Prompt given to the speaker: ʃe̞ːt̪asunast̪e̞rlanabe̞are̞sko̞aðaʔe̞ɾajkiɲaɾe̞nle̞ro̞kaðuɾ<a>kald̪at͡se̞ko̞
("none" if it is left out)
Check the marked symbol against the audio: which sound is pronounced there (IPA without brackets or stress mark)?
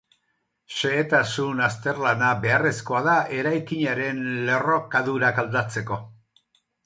a